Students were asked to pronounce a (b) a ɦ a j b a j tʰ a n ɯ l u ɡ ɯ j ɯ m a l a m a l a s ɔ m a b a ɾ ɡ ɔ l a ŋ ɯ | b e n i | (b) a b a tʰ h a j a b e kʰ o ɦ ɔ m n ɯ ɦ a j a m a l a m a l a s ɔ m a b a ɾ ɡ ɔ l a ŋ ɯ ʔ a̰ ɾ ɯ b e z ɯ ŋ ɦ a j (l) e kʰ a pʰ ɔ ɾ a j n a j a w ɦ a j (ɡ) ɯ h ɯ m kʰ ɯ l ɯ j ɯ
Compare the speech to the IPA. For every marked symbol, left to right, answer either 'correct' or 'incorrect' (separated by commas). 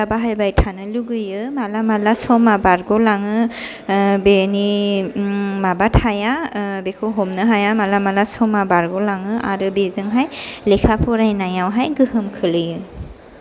correct, incorrect, correct, correct